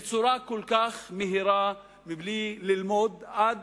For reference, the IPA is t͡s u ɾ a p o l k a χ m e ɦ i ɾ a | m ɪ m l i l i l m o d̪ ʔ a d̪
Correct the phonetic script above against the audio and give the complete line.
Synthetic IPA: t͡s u ɾ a k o l k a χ m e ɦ i ɾ a | m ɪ b l i l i l m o d̪ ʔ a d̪